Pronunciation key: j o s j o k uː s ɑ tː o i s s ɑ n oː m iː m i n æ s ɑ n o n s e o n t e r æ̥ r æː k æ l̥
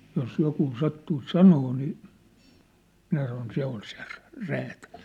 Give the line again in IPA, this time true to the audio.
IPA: j o s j o k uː s ɑ tː u i s s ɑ n oː n iː m i n æ s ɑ n o n s e o n s e r æ̥ r æː t æ l̥